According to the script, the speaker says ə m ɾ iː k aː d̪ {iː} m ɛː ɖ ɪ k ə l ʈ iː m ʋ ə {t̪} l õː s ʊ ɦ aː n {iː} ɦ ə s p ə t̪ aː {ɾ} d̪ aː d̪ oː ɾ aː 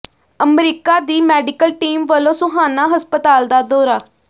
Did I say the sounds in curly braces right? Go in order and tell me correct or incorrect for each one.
correct, incorrect, incorrect, incorrect

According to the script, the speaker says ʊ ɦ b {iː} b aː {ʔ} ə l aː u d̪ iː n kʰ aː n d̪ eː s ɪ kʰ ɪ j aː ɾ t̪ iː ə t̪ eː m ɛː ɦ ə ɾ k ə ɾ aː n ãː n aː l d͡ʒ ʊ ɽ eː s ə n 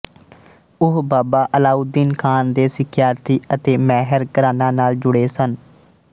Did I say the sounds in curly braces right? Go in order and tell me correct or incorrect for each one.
incorrect, correct

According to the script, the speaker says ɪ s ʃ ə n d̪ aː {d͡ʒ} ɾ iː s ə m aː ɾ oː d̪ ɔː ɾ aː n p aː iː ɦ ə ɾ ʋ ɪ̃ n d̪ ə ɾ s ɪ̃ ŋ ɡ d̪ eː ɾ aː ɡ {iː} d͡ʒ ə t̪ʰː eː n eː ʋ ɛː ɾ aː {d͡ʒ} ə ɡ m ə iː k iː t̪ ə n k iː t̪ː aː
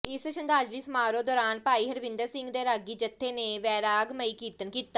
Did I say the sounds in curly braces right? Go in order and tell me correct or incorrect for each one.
correct, correct, incorrect

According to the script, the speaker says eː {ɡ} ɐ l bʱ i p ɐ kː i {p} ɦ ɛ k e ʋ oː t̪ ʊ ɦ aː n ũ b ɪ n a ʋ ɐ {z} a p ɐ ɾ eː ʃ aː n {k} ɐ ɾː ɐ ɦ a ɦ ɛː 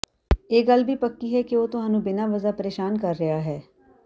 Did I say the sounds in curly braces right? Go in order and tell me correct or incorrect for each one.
correct, incorrect, correct, correct

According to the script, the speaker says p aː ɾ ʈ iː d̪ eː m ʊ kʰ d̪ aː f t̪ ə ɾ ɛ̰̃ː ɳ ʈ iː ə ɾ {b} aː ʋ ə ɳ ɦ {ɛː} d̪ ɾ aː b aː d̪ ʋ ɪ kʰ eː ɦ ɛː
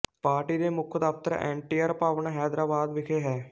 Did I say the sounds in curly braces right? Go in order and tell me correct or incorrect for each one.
incorrect, correct

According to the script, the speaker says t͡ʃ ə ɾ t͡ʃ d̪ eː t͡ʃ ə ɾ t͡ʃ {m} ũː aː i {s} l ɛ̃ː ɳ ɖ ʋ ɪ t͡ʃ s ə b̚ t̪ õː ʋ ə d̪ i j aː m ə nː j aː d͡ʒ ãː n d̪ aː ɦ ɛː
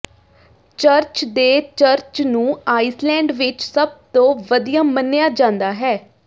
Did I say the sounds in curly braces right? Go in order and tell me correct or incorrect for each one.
incorrect, correct

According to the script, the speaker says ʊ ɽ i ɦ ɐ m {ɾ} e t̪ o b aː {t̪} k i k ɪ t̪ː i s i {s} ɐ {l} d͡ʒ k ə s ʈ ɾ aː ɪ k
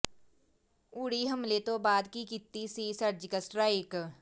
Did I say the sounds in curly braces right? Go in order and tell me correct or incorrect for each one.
incorrect, incorrect, correct, incorrect

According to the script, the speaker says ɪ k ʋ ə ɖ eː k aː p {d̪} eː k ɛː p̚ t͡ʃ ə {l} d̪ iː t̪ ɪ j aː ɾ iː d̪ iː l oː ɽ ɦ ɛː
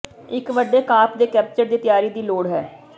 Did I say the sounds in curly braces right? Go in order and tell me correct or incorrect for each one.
correct, incorrect

